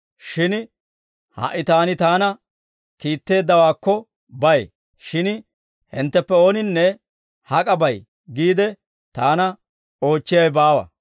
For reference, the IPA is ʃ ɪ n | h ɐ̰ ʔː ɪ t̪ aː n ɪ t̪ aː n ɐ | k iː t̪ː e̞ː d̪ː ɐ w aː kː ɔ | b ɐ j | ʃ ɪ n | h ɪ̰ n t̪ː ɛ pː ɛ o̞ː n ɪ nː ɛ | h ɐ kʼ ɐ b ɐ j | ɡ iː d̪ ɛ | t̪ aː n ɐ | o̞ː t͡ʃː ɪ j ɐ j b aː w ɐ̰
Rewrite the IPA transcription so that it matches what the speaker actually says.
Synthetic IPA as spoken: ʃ ɪ n | h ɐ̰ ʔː ɪ t̪ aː n ɪ t̪ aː n ɐ | k iː t̪ː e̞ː d̪ː ɐ w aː kː ɔ | b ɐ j | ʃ ɪ n | h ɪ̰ n t̪ː ɛ pː ɛ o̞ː n ɪ nː ɛ | h ɐ kʼ ɐ b ɐ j | ɡ iː d̪ ɛ | t̪ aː n ɐ | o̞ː t͡ʃː ɪ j ɐ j b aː w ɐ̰